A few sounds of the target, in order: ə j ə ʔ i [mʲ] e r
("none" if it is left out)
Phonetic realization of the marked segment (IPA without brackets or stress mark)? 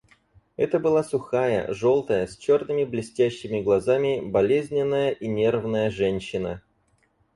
nʲ